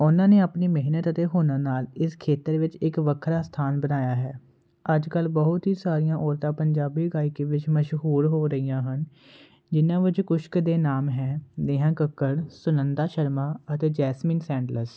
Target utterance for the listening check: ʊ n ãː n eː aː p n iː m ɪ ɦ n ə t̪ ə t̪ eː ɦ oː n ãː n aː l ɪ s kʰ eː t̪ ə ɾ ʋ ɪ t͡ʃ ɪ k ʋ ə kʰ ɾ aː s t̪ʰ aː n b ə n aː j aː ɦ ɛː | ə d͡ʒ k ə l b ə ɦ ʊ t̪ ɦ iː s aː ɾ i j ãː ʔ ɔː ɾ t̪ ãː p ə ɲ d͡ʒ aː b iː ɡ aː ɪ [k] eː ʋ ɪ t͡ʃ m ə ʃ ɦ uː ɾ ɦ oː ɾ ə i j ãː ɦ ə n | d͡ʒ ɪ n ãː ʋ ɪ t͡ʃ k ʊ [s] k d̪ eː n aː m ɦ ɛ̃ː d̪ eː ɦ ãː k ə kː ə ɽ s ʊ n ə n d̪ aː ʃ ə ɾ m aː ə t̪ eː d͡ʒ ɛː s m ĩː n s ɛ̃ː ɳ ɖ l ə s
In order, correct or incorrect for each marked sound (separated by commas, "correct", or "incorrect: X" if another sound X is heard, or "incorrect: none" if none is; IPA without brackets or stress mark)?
correct, incorrect: ʃ